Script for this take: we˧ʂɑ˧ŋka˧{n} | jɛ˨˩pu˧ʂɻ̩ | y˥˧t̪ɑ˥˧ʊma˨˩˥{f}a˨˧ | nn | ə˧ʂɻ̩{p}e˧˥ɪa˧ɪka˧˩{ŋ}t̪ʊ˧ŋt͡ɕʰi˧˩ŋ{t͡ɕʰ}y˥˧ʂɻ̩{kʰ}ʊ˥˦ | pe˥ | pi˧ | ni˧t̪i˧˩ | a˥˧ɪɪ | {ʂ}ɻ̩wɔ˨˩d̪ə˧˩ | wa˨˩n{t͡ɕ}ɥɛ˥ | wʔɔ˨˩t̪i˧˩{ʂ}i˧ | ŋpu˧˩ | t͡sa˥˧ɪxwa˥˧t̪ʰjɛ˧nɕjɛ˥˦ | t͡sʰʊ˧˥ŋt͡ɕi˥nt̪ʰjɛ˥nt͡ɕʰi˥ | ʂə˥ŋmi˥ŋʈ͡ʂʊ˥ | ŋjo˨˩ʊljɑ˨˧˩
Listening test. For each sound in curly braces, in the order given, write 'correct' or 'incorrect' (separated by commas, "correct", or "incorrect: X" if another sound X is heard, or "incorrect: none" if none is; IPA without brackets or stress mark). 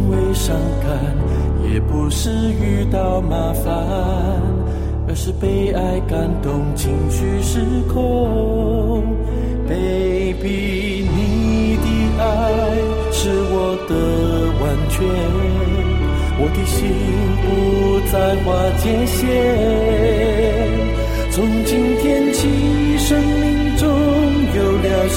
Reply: correct, correct, correct, incorrect: n, correct, correct, correct, incorrect: t͡ɕʰ, incorrect: ɕ